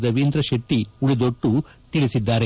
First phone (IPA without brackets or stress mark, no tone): d̪